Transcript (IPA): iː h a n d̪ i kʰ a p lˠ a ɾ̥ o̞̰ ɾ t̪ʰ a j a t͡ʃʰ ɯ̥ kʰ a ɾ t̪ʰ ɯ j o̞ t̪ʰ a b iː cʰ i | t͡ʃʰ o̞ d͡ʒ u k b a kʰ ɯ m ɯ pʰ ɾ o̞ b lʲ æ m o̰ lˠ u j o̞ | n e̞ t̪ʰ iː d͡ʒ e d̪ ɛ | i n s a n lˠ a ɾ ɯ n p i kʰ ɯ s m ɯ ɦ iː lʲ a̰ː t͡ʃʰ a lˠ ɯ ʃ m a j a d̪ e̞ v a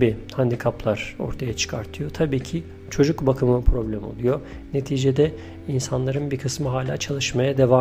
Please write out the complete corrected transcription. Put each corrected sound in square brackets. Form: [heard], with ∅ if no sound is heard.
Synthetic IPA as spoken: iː h a n d̪ i kʰ a p lˠ a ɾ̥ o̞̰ ɾ t̪ʰ a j a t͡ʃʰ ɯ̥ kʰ a ɾ t̪ʰ ɯ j o̞ t̪ʰ a b iː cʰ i | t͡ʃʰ o̞ d͡ʒ u k b a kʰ ɯ m ɯ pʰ ɾ o̞ b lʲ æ m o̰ lˠ u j o̞ | n e̞ t̪ʰ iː d͡ʒ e d̪ ɛ | i n s a n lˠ a ɾ ɯ n [b] i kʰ ɯ s m ɯ ɦ [aː] lʲ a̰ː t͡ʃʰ a lˠ ɯ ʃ m a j a d̪ e̞ v a